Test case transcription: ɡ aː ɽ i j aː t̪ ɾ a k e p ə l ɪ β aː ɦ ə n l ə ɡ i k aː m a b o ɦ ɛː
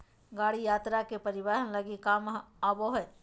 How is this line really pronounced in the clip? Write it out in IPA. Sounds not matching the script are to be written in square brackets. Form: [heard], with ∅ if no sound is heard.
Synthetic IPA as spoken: ɡ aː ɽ i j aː t̪ ɾ a k e p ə [ɾ] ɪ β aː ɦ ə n l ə ɡ i k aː m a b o ɦ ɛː